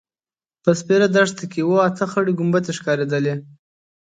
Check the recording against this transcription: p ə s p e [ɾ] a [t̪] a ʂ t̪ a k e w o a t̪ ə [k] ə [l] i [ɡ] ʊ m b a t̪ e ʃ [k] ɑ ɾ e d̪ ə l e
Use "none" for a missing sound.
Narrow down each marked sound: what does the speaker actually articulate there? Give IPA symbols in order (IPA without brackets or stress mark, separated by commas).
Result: ɾ, d̪, x, ɽ, ɡ, k